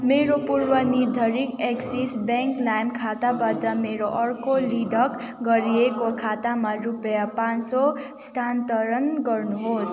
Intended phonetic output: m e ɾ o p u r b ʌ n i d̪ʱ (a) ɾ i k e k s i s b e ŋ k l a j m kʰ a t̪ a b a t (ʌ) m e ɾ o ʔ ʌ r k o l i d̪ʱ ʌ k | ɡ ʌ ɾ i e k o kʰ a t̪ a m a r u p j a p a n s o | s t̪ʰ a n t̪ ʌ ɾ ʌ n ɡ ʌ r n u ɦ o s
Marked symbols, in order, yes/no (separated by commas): no, yes